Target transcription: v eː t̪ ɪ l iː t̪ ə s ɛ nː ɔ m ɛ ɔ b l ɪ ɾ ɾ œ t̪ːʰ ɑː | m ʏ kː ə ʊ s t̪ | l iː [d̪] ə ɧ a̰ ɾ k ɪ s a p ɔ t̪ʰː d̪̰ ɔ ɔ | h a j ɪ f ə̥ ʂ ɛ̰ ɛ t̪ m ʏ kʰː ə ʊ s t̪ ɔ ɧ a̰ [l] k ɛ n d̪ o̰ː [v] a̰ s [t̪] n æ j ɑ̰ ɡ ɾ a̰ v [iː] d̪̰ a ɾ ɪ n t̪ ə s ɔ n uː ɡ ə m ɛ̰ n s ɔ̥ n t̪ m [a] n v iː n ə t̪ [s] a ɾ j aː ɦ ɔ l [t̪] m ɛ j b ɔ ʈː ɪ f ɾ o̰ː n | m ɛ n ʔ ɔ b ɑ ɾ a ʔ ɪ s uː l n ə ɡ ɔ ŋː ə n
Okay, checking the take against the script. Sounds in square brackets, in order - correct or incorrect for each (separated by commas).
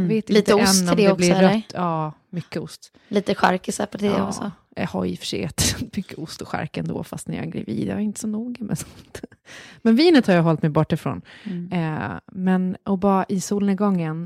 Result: incorrect, incorrect, incorrect, correct, correct, incorrect, incorrect, correct